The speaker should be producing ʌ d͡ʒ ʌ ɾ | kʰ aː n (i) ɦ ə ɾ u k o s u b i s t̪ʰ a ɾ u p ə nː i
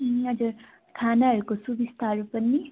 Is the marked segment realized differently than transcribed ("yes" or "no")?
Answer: yes